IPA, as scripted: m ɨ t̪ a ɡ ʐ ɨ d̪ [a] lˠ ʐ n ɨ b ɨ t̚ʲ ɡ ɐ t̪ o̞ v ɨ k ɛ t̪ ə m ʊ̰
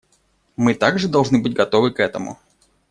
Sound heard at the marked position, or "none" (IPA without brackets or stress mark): ɐ